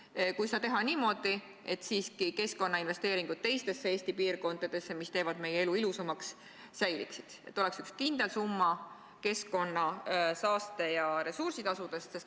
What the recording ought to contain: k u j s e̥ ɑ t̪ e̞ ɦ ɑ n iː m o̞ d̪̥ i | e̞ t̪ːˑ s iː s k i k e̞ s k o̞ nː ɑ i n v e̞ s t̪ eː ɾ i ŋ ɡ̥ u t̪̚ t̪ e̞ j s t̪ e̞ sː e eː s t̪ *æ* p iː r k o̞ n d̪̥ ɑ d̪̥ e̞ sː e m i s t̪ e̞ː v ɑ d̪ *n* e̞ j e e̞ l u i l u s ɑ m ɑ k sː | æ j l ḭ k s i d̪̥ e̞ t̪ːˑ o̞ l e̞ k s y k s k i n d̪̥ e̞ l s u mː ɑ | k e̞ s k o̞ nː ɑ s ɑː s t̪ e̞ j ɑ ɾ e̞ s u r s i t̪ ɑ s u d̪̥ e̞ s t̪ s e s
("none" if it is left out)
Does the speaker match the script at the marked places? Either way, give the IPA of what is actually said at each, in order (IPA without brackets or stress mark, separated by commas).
i, m